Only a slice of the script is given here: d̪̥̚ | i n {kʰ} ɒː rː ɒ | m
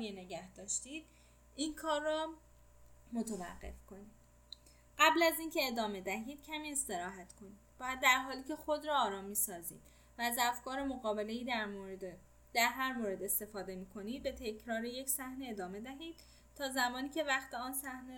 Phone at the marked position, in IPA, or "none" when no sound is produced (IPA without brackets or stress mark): kʰ